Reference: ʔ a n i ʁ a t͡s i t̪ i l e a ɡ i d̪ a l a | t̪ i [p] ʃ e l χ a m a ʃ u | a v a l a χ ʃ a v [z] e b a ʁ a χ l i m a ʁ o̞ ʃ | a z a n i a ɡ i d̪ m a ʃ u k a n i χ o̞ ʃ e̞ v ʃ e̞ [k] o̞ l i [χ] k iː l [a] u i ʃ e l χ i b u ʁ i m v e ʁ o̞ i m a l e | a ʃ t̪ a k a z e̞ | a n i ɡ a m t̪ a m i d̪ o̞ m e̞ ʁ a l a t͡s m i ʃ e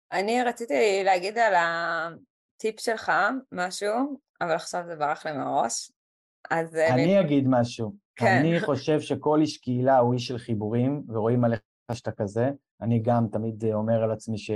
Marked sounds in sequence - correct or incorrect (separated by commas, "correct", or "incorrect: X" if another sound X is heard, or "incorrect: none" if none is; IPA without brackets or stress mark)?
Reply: correct, correct, correct, incorrect: ʃ, correct